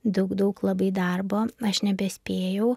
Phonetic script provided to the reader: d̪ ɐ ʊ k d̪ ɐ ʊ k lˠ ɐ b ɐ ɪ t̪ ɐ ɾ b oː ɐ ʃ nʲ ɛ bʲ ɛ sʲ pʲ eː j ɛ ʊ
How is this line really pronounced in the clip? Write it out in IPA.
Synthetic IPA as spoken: d̪ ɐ ʊ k d̪ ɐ ʊ k lˠ ɐ b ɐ ɪ d̪ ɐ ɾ b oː ɐ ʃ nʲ ɛ bʲ ɛ sʲ pʲ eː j ɛ ʊ